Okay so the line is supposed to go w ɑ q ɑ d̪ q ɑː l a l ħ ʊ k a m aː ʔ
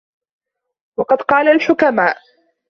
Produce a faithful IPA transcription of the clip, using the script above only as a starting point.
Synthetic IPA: w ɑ q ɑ d̪ q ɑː l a l ħ ʊ k a m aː ʔ